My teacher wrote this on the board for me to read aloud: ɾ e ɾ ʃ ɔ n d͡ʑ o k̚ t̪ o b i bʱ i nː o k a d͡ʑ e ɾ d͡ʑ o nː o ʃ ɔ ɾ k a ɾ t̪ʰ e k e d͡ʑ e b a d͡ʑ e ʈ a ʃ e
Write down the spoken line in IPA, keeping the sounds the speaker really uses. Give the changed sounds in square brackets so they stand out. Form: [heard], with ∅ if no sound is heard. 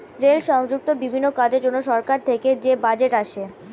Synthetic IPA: ɾ e [l] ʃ ɔ [ŋ] d͡ʑ [u] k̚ t̪ o b i bʱ i nː o k a d͡ʑ e ɾ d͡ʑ o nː o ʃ ɔ ɾ k a ɾ t̪ʰ e k e d͡ʑ e b a d͡ʑ e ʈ a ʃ e